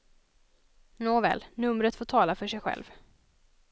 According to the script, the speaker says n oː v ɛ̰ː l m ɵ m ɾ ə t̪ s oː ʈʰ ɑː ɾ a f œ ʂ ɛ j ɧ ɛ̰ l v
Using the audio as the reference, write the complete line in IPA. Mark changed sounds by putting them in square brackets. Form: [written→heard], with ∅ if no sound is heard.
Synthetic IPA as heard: n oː v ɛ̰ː l [m→n] ɵ m ɾ ə t̪ [s→f] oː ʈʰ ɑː [ɾ→l] a f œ ʂ ɛ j ɧ ɛ̰ l v